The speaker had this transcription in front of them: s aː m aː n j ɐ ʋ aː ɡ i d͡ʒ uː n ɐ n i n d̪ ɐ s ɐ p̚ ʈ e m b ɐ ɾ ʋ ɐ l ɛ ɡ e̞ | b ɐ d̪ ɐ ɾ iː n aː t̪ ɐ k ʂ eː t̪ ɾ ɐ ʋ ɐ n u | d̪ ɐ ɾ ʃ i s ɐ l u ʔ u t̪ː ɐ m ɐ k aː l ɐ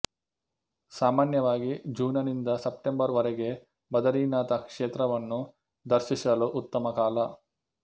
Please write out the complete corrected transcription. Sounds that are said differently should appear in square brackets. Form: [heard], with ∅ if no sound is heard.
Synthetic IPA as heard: s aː m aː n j ɐ ʋ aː ɡ i d͡ʒ uː n ɐ n i n d̪ ɐ s ɐ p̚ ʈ e m b ɐ ɾ ʋ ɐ [ɾ] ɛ ɡ e̞ | b ɐ d̪ ɐ ɾ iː n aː t̪ ɐ k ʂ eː t̪ ɾ ɐ ʋ ɐ [nː] u | d̪ ɐ ɾ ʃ i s ɐ l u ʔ u t̪ː ɐ m ɐ k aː l ɐ